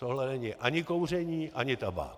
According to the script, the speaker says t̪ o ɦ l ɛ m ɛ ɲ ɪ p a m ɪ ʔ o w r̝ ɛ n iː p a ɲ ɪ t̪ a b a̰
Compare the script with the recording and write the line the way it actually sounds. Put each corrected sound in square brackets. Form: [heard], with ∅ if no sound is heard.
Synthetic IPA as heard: t̪ o ɦ l ɛ [n] ɛ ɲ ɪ [ʔ] a [ɲ] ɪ [k] o w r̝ ɛ [ɲ] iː [ʔ] a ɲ ɪ t̪ a b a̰